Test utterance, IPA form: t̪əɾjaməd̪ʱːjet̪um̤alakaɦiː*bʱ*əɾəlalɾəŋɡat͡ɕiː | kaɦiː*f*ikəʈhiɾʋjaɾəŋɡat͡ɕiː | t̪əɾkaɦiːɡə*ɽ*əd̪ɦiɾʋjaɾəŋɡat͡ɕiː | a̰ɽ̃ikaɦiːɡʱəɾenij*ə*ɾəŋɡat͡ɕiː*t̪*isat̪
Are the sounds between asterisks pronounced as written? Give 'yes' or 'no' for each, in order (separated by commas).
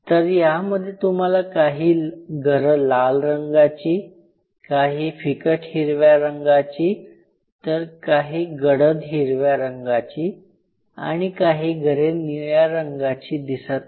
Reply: no, yes, yes, no, no